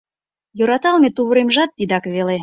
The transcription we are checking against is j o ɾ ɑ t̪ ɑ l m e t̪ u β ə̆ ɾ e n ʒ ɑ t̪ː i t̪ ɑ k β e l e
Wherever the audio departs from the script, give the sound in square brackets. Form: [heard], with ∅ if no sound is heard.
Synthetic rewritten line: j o ɾ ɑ t̪ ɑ l m e t̪ u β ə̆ ɾ e [m] ʒ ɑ t̪ː i [d̪] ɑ k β e l e